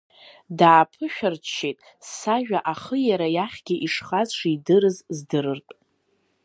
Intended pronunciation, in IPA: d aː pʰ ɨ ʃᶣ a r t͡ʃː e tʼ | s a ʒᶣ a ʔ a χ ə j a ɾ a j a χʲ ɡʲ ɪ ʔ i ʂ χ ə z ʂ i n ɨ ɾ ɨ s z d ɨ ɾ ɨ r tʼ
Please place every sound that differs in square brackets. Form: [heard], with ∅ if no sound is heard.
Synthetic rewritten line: d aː pʰ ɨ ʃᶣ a r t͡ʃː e tʼ | s a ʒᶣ a ʔ a χ ə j a ɾ a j a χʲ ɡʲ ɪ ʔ i ʂ χ [a] z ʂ i [d] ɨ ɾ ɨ [z] z d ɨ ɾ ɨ r tʼ

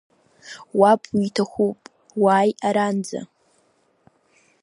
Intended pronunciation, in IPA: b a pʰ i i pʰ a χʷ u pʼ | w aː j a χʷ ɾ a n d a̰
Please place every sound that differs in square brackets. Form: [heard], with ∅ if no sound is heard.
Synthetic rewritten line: [w] a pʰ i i [tʰ] a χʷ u pʼ | w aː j a [∅] ɾ a n [d͡z] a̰

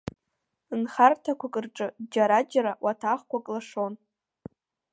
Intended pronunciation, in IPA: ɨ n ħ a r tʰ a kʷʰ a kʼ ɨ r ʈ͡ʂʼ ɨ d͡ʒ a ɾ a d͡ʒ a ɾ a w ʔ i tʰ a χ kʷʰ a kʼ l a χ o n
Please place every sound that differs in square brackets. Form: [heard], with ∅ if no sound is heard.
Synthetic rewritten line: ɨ n [χ] a r tʰ a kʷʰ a kʼ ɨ r ʈ͡ʂʼ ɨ d͡ʒ a ɾ a d͡ʒ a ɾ a w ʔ [a] tʰ a χ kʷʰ a kʼ l a [ʂ] o n

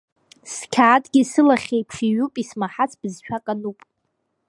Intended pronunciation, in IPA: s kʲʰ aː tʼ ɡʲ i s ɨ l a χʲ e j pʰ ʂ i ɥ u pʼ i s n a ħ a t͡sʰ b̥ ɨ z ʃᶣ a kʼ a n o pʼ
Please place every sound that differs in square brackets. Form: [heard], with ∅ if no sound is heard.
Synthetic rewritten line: s kʲʰ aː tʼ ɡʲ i s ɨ l a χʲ e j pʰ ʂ i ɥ u pʼ i s [m] a ħ a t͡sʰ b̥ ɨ z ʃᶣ a kʼ a n [u] pʼ

